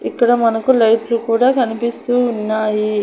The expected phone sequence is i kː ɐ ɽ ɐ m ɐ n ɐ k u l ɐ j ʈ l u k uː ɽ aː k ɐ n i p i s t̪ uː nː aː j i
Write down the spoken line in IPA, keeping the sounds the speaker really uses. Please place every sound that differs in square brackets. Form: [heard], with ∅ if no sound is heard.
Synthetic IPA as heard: i kː ɐ ɽ ɐ m ɐ n ɐ k u l ɐ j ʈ l u k uː ɽ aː k ɐ n i p i s t̪ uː nː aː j i